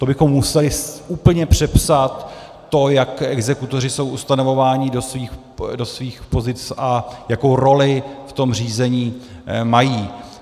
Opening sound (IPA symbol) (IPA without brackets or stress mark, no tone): t̪